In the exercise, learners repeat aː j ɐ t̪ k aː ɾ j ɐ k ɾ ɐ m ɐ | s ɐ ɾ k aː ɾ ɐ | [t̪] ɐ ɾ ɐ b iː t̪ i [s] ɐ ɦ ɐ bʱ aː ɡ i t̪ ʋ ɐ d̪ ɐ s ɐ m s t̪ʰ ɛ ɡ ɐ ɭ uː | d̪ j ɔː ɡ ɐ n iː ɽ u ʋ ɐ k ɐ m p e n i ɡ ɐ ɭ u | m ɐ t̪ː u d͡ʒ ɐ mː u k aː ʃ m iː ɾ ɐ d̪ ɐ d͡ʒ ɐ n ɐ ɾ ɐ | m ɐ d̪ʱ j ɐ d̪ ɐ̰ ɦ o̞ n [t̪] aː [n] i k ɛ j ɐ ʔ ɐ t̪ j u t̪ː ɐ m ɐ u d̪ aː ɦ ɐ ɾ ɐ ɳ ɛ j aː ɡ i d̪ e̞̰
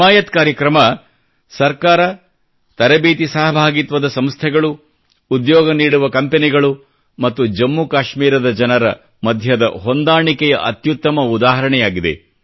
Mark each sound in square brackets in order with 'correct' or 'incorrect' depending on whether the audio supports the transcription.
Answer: correct, correct, incorrect: d̪, incorrect: ɳ

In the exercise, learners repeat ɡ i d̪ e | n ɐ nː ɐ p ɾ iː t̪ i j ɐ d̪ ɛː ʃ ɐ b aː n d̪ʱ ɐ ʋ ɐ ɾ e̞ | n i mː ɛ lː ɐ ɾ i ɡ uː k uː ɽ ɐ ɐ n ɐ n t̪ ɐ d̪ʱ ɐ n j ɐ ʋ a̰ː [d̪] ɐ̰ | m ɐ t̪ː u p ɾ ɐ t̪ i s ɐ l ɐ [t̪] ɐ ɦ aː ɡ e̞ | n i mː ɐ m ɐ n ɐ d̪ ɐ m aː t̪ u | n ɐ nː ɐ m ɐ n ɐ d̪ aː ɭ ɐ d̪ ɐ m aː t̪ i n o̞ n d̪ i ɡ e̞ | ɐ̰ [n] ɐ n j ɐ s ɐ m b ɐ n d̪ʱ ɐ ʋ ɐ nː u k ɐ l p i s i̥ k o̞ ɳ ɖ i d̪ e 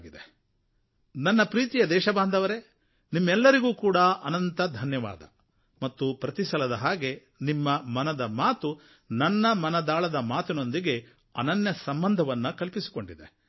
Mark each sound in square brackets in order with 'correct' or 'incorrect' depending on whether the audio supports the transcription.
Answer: correct, incorrect: d̪, correct

